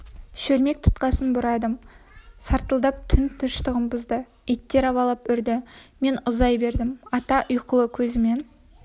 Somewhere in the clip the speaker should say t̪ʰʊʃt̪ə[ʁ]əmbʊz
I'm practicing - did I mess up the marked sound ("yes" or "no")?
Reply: no